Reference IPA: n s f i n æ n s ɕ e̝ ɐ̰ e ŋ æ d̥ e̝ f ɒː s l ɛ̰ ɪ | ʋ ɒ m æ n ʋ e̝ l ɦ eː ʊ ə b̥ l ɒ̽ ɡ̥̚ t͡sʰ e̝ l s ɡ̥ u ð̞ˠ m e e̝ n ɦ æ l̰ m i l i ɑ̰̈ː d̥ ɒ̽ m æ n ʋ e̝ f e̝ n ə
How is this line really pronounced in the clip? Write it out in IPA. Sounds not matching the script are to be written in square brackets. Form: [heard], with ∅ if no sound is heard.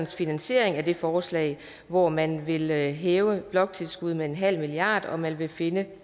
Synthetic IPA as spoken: n s f i n æ n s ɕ e̝ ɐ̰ e ŋ æ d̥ e̝ f ɒː s l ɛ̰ ɪ | ʋ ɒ m æ n ʋ e̝ l ɦ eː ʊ ə b̥ l ɒ̽ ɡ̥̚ t͡sʰ e̝ l s ɡ̥ u ð̞ˠ m e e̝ n ɦ æ l̰ m i l i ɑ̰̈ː d̥ ɒ̽ m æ n ʋ e̝ f e̝ n ə